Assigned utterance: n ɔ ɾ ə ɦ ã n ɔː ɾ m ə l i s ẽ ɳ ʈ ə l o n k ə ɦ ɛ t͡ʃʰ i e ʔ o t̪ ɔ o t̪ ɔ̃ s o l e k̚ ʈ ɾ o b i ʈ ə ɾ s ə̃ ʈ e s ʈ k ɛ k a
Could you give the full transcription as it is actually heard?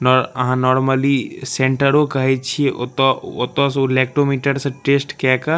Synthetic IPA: n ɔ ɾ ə ɦ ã n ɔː ɾ m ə l i s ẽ ɳ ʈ ə ɾ o k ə ɦ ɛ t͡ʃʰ i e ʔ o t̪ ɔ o t̪ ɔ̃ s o l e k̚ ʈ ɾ o m i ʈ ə ɾ s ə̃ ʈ e s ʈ k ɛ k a